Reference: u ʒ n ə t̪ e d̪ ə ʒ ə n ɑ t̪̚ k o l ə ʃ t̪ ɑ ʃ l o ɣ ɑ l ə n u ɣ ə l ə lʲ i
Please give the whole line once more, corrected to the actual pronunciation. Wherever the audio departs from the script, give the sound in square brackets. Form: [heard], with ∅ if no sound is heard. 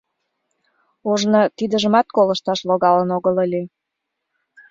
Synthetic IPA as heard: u ʒ n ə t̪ [i] d̪ ə ʒ ə [m] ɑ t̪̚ k o l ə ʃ t̪ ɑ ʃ l o ɣ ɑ l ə n [o] ɣ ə l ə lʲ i